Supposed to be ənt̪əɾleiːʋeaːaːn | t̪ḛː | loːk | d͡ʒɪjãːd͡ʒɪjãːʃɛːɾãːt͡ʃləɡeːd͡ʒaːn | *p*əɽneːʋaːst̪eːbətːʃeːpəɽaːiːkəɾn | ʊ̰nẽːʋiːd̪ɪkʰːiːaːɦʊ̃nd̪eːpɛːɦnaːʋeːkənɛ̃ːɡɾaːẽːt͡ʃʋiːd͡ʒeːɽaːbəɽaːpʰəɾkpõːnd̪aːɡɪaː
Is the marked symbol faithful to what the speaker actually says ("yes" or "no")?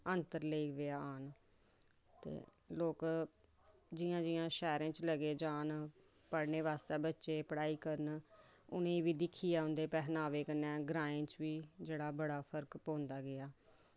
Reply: yes